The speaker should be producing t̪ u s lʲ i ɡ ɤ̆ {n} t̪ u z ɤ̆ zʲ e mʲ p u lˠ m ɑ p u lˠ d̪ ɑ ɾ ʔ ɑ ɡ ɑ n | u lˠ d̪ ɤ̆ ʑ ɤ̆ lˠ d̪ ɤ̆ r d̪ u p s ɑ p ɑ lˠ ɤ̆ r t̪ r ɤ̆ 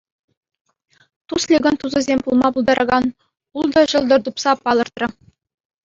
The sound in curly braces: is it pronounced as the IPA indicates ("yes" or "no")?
yes